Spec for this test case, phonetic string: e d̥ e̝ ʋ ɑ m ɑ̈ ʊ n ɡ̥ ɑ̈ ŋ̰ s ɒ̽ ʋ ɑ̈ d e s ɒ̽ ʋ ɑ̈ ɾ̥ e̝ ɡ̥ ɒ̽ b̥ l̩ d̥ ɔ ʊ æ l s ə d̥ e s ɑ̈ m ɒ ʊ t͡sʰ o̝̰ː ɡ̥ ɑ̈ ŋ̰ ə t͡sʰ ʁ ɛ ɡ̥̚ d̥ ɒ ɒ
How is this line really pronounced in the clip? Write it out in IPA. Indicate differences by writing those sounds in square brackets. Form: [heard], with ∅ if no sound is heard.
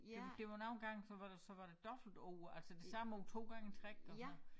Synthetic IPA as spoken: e d̥ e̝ ʋ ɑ [n] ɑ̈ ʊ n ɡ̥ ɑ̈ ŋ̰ s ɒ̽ ʋ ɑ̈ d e s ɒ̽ ʋ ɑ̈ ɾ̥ e̝ [d̥] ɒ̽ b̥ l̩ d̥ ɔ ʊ æ l s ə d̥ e s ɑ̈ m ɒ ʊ t͡sʰ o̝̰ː ɡ̥ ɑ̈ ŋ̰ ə t͡sʰ ʁ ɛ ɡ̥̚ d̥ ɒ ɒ